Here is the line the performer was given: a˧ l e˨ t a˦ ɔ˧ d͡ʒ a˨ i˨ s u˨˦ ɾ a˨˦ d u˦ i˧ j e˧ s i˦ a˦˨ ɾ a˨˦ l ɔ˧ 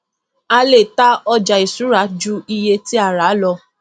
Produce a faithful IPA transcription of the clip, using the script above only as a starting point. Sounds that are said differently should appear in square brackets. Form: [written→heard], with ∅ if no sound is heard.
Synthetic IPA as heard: a˧ l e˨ t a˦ ɔ˧ d͡ʒ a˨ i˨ s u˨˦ ɾ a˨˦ [d→d͡ʒ] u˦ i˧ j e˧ [s→t] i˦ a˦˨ ɾ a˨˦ l ɔ˧